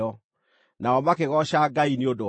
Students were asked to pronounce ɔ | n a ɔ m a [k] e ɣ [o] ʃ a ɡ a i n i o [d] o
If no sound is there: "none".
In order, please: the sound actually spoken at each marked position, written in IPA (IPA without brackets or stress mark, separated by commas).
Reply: k, ɔ, d